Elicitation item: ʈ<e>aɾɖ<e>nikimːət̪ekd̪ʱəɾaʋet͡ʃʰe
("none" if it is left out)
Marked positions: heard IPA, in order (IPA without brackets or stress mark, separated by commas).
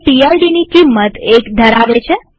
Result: i, i